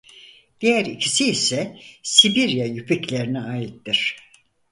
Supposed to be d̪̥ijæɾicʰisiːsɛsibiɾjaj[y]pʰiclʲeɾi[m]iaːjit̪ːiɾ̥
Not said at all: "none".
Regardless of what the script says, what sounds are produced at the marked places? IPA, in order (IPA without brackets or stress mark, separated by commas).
y, n